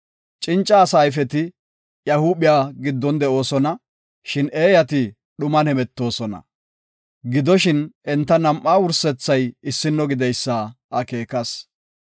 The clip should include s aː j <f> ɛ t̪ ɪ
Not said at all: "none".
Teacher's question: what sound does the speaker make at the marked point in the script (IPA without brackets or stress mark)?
f